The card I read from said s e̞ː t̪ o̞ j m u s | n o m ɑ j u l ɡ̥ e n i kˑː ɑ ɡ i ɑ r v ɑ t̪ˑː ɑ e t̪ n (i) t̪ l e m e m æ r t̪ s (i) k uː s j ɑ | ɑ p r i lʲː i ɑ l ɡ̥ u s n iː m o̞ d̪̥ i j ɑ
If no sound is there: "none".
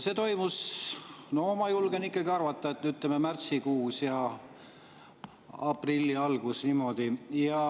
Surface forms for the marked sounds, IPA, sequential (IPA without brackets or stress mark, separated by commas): y, i